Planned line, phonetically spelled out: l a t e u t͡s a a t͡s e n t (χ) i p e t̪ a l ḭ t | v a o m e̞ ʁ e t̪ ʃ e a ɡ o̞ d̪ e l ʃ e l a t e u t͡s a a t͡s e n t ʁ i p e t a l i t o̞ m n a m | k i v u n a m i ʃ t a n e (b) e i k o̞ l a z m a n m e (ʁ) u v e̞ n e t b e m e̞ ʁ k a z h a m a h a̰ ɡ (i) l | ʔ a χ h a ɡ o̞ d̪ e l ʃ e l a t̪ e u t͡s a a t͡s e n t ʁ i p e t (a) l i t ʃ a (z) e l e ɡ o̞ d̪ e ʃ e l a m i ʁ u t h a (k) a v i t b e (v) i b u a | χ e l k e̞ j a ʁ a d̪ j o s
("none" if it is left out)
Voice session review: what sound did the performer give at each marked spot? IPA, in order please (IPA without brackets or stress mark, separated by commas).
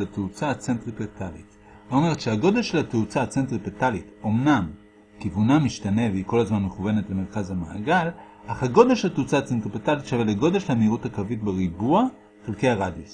ʁ, v, χ, a, a, v, k, ʁ